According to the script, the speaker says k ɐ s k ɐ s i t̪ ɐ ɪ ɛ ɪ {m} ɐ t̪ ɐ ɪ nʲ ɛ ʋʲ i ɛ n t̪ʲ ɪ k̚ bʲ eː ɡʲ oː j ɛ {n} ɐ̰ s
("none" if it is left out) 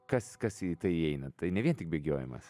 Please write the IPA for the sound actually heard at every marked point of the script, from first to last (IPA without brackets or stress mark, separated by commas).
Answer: n, m